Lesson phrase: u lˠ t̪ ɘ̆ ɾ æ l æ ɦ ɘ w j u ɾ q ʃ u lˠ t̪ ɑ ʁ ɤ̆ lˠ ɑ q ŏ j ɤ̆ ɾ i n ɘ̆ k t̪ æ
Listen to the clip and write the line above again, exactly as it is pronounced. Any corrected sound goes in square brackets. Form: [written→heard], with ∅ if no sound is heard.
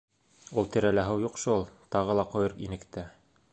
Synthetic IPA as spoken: u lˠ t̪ ɘ̆ ɾ æ l æ ɦ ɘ w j u [ɾ→∅] q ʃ u lˠ t̪ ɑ ʁ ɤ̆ lˠ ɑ q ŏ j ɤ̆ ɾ i n ɘ̆ k t̪ æ